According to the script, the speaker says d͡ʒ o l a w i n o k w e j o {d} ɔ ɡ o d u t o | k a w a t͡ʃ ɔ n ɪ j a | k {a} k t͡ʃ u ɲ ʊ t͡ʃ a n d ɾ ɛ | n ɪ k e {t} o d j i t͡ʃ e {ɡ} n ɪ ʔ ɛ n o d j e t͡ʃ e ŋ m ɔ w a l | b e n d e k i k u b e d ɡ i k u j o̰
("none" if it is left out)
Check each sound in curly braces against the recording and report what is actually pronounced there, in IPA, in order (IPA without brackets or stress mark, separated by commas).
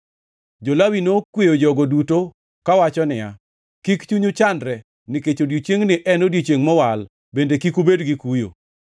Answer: d͡ʒ, i, t͡ʃ, ŋ